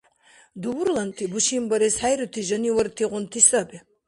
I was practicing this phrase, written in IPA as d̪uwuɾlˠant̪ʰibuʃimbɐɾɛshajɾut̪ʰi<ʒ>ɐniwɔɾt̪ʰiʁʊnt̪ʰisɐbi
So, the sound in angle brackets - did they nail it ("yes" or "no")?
yes